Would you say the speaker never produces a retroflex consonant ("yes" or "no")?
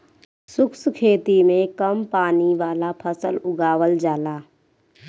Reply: yes